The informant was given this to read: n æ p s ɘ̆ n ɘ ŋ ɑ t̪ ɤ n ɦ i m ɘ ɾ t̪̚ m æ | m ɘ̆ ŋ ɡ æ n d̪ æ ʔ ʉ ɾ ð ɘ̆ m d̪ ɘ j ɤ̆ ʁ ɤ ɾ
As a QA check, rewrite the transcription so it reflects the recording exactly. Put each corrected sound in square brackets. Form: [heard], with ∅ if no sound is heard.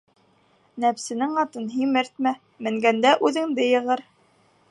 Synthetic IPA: n æ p s ɘ̆ n ɘ ŋ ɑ t̪ ɤ n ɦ i m ɘ ɾ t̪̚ m æ | m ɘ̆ ŋ ɡ æ n d̪ æ ʔ ʉ [∅] ð ɘ̆ [ŋ] d̪ ɘ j ɤ̆ ʁ ɤ ɾ